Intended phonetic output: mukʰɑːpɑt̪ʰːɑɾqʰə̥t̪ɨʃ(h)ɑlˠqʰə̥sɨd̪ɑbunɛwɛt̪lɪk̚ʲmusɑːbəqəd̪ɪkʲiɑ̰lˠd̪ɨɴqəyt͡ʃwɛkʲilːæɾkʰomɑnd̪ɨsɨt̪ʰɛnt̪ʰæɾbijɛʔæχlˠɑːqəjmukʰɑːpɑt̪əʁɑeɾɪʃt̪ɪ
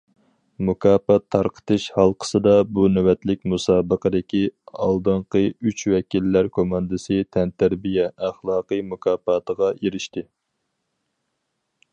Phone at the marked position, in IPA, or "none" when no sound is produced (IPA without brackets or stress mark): h